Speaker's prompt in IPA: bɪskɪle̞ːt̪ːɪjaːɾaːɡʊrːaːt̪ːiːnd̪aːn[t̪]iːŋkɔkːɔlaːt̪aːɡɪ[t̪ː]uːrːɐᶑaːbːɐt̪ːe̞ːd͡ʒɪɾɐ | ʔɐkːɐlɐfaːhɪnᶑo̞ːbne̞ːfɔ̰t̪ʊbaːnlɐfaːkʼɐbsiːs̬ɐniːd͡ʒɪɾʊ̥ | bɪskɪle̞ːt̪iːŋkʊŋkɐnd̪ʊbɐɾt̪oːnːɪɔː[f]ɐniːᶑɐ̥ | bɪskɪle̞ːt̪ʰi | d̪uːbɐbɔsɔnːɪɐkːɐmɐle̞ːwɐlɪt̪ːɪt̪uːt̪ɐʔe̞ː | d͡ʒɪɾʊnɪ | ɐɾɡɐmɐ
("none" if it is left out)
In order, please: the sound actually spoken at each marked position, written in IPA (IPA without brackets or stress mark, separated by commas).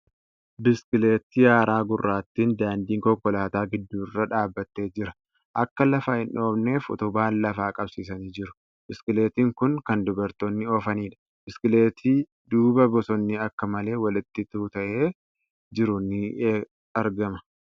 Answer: d̪, d̪ː, f